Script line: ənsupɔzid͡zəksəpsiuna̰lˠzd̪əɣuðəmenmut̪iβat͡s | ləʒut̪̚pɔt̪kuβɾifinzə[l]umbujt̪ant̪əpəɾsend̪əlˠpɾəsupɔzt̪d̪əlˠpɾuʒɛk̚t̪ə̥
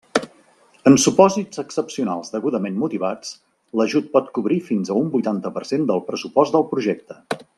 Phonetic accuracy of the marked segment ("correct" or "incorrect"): incorrect